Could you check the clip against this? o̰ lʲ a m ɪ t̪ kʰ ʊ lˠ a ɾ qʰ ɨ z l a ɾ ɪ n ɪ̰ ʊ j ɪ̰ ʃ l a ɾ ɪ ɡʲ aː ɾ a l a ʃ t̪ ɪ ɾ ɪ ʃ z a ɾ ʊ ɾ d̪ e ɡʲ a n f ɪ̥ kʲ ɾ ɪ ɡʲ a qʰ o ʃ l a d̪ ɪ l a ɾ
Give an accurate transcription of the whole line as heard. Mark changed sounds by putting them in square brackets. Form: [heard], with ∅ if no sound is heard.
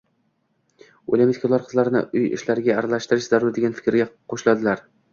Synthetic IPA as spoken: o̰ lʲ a m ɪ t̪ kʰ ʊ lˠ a ɾ qʰ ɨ z l a ɾ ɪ n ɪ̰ ʊ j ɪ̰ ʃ l a ɾ ɪ ɡʲ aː ɾ a l a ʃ t̪ ɪ ɾ ɪ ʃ z a ɾ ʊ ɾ d̪ e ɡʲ a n f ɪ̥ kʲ ɾ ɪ ɡʲ a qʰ o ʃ l a d̪ ɪ l a ɾ